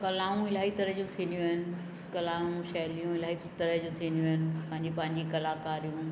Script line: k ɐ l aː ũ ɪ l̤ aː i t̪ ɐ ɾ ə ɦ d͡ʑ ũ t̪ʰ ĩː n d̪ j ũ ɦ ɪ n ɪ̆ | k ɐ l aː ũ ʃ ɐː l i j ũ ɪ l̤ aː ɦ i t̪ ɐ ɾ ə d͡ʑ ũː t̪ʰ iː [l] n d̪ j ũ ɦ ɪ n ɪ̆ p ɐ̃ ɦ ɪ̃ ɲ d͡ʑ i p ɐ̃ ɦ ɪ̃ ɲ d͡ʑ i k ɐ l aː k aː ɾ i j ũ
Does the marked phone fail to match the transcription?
yes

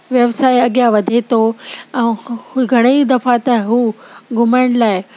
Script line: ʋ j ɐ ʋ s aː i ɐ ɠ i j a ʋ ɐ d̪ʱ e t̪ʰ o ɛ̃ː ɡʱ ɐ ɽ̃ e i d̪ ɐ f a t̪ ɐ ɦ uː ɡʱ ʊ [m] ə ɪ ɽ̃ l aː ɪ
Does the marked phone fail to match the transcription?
no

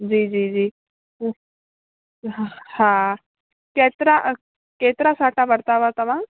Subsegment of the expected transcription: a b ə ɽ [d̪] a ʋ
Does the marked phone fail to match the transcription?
yes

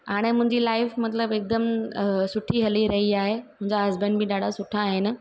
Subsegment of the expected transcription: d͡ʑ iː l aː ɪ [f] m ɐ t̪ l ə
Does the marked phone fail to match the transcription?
no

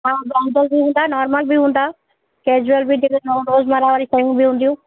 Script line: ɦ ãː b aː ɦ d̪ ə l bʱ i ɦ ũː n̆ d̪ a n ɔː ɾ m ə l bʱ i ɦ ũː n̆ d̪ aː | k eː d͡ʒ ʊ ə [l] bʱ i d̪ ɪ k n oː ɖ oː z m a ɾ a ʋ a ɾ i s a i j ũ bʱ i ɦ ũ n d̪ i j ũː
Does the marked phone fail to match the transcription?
no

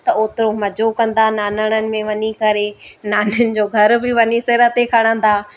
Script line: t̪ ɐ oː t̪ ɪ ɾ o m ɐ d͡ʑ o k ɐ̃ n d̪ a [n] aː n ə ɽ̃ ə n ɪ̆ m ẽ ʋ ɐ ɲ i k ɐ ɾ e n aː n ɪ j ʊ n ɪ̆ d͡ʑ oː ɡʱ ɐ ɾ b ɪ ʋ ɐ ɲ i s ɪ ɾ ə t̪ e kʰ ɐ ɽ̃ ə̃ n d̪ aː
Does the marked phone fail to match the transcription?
no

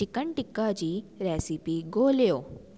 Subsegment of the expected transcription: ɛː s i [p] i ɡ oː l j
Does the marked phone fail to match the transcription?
no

